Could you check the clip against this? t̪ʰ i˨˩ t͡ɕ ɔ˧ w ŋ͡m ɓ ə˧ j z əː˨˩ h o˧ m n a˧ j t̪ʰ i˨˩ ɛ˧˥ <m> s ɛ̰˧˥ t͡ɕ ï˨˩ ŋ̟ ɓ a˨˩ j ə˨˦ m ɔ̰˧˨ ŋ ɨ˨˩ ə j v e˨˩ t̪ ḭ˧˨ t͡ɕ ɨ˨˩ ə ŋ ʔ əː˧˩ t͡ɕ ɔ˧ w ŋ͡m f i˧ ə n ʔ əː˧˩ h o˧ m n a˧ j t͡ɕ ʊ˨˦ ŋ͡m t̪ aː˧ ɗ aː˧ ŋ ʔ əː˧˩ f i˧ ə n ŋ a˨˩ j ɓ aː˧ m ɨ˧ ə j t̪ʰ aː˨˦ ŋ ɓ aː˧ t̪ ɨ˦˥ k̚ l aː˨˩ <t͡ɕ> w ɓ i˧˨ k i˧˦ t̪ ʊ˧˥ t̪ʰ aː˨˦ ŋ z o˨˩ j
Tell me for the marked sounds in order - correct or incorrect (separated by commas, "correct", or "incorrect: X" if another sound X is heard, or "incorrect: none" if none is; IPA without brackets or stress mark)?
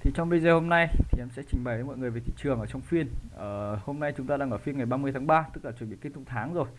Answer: correct, correct